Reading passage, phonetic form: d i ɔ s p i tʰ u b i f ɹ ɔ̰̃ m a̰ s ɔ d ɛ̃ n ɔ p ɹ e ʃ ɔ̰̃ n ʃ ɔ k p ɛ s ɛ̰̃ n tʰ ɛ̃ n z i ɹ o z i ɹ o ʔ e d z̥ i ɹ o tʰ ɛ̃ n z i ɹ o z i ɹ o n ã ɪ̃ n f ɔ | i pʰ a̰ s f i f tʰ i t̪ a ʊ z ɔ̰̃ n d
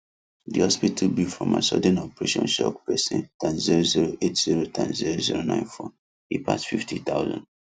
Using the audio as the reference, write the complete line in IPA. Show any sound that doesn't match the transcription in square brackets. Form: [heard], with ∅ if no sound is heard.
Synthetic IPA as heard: d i ɔ s p i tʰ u b i f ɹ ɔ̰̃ m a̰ s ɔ d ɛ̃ n ɔ p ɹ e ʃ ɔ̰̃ n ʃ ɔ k p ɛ s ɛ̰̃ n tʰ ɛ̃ n z i ɹ o z i ɹ o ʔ e [t] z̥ i ɹ o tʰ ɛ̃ n z i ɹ o z i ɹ o n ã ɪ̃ n f ɔ | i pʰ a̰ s f i f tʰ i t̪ a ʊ z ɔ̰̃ n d